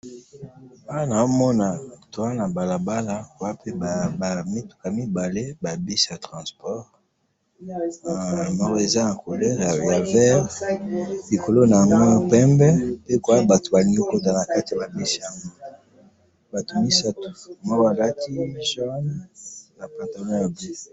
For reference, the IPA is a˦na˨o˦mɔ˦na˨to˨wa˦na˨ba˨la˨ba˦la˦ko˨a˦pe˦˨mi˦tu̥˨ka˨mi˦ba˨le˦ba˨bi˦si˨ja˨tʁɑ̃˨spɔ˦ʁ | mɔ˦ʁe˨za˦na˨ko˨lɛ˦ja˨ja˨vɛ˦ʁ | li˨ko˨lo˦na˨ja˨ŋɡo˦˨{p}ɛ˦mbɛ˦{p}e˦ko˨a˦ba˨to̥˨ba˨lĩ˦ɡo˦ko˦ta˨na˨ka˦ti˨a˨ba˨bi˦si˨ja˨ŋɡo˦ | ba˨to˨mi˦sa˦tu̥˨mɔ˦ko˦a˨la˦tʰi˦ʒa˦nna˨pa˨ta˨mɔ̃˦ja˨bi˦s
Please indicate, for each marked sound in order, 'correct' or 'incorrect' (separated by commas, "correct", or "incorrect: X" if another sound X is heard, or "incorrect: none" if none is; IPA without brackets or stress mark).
correct, correct